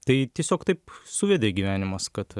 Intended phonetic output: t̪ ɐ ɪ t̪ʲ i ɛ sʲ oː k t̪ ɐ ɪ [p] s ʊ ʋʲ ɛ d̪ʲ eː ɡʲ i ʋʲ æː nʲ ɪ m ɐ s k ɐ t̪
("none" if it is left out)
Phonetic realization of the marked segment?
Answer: p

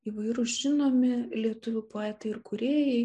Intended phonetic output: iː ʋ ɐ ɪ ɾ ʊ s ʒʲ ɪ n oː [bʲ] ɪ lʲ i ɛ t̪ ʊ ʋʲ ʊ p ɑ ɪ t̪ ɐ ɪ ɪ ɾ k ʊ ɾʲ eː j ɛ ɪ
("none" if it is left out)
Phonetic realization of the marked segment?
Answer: mʲ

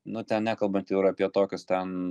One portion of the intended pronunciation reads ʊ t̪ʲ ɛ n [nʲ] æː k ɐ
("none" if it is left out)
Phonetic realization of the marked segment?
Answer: nʲ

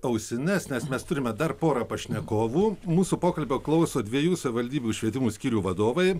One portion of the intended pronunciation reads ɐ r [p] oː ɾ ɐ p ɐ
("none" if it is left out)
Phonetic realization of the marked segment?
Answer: p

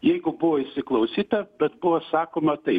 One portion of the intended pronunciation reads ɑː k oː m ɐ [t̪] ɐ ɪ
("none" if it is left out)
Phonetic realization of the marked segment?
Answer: t̪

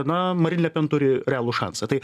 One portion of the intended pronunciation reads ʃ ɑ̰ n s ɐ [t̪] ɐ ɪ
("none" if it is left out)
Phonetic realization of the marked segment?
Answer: t̪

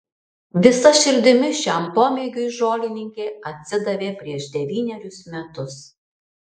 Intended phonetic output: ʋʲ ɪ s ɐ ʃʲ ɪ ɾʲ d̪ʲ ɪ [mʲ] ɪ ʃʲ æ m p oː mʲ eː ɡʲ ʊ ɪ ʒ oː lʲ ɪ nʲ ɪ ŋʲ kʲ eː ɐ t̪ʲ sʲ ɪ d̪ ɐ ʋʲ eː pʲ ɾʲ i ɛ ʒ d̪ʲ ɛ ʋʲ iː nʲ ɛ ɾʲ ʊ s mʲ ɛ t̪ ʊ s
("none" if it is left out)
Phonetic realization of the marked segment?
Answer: mʲ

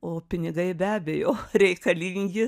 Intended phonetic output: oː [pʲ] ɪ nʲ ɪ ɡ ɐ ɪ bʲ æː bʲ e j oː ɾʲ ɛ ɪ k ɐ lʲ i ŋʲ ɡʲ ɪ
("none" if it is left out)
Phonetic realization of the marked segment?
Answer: pʲ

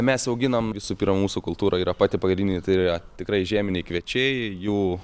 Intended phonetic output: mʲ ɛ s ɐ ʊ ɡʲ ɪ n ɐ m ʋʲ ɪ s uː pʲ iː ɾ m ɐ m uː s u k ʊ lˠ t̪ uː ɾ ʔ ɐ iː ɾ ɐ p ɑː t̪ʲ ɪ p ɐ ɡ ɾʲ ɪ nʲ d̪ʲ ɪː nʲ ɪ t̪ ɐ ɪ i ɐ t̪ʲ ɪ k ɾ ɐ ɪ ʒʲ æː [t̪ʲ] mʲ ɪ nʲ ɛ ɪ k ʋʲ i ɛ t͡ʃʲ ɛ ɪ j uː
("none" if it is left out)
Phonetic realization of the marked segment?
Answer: none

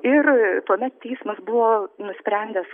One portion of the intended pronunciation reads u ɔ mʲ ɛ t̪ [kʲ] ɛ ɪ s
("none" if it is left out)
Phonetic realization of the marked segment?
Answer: tʲ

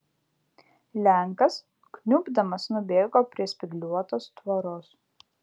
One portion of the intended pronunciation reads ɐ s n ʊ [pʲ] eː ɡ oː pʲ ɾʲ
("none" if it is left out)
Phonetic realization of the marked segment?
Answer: bʲ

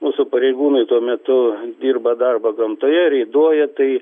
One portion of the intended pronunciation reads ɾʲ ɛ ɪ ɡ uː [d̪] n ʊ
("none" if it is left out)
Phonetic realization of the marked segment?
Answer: none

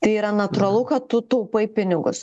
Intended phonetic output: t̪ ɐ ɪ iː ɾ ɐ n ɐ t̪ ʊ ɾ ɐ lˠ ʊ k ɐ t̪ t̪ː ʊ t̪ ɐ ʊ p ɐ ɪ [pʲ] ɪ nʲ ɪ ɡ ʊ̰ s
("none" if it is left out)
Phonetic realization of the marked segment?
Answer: pʲ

